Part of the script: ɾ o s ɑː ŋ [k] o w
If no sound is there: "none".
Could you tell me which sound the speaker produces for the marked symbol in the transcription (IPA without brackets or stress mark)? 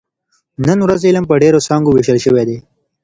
ɡ